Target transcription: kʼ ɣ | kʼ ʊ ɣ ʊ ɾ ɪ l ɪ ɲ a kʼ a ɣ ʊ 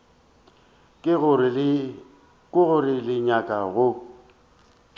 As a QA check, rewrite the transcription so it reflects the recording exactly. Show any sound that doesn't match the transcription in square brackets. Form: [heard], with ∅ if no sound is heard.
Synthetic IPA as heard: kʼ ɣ | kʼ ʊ ɣ ʊ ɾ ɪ l ɪ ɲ a kʼ a ɣ ʊ